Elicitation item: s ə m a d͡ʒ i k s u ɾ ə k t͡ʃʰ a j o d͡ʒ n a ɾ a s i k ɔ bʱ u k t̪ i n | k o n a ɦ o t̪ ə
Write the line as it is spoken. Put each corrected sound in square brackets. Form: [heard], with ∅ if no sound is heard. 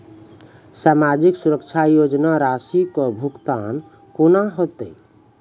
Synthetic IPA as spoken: s [a] m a d͡ʒ i k s u ɾ ə k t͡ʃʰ a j o d͡ʒ n a ɾ a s i k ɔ bʱ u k t̪ [a] n | k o n a ɦ o t̪ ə

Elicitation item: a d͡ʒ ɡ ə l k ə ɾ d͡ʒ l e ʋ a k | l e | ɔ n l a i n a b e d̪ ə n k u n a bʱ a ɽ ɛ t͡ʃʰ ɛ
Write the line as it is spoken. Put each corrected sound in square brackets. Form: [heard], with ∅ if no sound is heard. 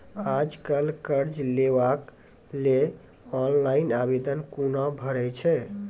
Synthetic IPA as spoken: a d͡ʒ [k] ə l k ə ɾ d͡ʒ l e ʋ a k | l e | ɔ n l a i n a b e d̪ ə n k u n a bʱ [ə] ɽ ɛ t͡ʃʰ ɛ

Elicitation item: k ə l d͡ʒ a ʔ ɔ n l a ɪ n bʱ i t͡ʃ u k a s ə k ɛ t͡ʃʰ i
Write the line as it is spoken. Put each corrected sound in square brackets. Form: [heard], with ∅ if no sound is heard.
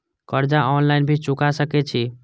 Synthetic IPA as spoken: k ə [ɾ] d͡ʒ a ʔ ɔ n l a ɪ n bʱ i t͡ʃ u k a s ə k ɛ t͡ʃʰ i

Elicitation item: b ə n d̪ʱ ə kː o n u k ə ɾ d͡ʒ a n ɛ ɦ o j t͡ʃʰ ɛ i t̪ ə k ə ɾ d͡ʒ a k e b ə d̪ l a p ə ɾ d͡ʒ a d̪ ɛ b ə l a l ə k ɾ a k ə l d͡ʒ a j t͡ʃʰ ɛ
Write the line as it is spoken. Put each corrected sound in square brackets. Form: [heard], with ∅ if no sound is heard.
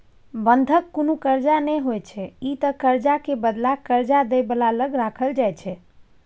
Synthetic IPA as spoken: b ə n d̪ʱ ə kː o n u k ə ɾ d͡ʒ a n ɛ ɦ o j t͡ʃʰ ɛ i t̪ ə k ə ɾ d͡ʒ a k e b ə d̪ l a [k] ə ɾ d͡ʒ a d̪ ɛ b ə l a l ə [ɡ] ɾ a [kʰ] ə l d͡ʒ a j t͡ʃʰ ɛ

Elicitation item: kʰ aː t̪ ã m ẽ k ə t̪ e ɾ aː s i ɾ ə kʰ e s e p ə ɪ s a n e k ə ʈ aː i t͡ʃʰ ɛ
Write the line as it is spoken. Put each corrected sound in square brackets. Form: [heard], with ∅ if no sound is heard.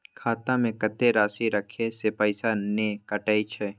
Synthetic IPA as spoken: kʰ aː t̪ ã m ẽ k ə t̪ e ɾ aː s i ɾ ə kʰ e s e p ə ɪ s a n e k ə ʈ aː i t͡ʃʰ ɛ

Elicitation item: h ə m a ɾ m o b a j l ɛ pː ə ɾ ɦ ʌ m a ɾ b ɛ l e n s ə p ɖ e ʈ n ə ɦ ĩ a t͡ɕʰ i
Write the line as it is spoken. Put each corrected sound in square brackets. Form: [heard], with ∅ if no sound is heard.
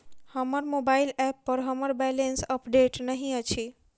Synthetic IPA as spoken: h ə m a ɾ m o b a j l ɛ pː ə ɾ ɦ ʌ m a ɾ b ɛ l e n s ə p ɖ e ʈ n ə ɦ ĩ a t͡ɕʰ i

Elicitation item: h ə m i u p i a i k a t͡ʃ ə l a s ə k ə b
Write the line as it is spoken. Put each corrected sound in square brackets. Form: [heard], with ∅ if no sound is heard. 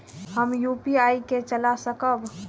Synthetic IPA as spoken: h ə m [j] u p i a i k [e] t͡ʃ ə l a s ə k ə b

